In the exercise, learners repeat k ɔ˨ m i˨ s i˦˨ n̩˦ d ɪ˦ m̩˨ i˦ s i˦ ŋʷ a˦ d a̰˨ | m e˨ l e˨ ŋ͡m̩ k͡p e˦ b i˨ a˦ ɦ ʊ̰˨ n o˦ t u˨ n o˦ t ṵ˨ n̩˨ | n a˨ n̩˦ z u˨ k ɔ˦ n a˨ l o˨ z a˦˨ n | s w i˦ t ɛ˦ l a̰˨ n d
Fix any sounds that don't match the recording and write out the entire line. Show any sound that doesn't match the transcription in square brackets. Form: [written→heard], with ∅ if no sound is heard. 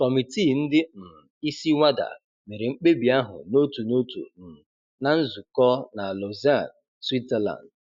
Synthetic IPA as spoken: k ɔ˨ m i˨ [s→t] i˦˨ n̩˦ d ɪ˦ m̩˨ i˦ s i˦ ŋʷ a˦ d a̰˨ | m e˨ [l→ɾ] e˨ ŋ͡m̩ k͡p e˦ b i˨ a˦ ɦ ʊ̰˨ n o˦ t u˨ n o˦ t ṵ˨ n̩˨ | n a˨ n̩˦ z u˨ k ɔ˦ n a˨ l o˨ z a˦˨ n | s w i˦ t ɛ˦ l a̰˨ n d

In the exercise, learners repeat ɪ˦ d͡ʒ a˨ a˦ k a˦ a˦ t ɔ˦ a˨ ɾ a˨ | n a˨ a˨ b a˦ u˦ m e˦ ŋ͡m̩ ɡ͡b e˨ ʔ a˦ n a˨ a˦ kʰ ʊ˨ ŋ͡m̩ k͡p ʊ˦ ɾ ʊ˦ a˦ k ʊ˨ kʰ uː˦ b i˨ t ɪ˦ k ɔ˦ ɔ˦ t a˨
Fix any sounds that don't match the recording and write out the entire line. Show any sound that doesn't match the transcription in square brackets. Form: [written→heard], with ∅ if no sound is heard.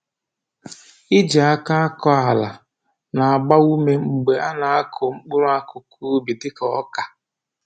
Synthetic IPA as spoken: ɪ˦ d͡ʒ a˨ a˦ k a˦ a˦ [t→k] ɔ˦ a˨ [ɾ→l] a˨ | n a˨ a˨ [b→ɡ͡b] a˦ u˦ m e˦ ŋ͡m̩ ɡ͡b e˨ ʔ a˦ n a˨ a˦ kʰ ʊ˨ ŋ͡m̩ k͡p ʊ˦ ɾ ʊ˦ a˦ k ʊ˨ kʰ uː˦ b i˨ t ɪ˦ k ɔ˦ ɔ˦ [t→k] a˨

